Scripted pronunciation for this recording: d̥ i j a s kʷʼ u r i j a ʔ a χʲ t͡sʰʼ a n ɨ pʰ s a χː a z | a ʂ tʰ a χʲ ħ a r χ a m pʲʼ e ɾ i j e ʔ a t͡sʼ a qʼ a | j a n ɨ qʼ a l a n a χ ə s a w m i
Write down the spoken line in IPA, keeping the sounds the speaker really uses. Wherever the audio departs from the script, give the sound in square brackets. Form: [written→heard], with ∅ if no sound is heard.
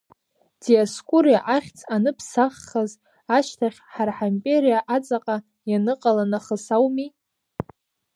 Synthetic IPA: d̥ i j a s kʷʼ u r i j a ʔ a χʲ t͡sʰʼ a n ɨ pʰ s a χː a z | a [ʂ→ʃ] tʰ a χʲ ħ a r [χ→ħ] a m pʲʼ e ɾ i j [e→a] ʔ a t͡sʼ a qʼ a | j a n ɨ qʼ a l a n a χ ə s a w m i